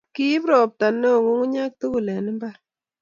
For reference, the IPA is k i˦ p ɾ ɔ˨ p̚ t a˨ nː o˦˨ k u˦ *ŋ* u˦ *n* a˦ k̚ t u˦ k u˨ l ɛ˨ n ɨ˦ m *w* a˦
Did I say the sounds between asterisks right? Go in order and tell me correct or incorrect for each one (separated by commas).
correct, incorrect, incorrect